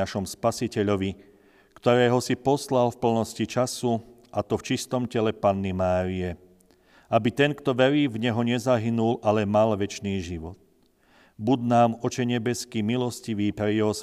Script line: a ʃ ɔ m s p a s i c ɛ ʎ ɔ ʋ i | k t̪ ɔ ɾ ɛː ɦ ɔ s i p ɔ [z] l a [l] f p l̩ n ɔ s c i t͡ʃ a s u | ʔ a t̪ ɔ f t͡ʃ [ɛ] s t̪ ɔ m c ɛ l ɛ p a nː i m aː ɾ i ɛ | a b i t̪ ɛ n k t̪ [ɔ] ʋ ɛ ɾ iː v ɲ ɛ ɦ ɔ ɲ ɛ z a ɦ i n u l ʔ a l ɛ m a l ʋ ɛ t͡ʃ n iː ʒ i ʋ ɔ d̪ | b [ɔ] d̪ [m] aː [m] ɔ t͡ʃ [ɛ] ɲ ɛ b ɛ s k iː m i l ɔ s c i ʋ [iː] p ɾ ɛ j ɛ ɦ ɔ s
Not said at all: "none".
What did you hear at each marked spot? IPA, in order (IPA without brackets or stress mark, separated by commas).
s, l, i, ɔ, u, n, m, ɛ, iː